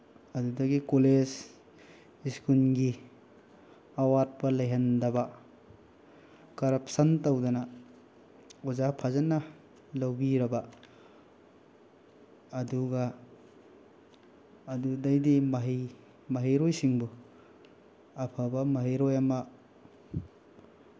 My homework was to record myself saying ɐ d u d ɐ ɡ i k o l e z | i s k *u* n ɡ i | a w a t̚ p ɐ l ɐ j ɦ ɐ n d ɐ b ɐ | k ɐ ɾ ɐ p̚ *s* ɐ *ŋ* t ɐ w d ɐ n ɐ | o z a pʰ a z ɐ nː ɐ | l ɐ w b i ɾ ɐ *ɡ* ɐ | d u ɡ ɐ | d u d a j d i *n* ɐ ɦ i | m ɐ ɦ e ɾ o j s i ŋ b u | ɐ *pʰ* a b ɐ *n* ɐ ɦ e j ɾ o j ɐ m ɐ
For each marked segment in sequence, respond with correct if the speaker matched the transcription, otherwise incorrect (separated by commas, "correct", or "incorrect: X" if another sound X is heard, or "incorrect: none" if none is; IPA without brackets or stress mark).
correct, correct, incorrect: n, incorrect: b, incorrect: m, correct, incorrect: m